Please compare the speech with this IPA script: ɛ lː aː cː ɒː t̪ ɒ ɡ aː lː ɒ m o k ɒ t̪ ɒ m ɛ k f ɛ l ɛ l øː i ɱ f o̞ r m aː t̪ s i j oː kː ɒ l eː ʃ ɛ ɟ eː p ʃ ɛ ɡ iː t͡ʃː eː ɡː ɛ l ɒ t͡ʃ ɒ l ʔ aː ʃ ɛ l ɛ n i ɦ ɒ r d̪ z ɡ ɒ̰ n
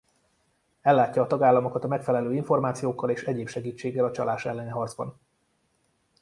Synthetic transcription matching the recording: ɛ lː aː cː ɒː t̪ ɒ ɡ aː lː ɒ m o k ɒ t̪ ɒ m ɛ k f ɛ l ɛ l øː i ɱ f o̞ r m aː t̪ s i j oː kː ɒ l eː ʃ ɛ ɟ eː p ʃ ɛ ɡ iː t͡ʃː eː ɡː ɛ l ɒ t͡ʃ ɒ l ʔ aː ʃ ɛ lː ɛ n i ɦ ɒ r d̪ z b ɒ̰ n